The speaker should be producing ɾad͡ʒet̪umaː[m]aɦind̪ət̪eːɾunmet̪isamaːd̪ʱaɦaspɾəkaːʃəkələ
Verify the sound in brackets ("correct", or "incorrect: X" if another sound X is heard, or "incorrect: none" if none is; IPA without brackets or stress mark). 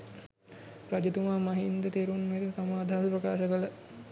correct